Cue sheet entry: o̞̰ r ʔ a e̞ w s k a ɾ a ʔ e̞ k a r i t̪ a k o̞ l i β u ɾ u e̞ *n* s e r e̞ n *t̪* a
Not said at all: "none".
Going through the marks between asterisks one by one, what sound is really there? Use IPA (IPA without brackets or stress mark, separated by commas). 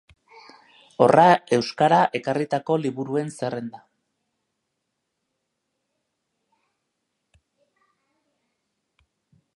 n, d̪